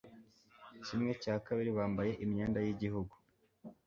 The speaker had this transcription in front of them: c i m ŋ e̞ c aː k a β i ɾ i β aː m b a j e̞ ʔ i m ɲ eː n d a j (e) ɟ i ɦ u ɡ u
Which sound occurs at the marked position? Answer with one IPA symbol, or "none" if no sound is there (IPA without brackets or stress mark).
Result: i